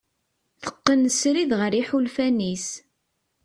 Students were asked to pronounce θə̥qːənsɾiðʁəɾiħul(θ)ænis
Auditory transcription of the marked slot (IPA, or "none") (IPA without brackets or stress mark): f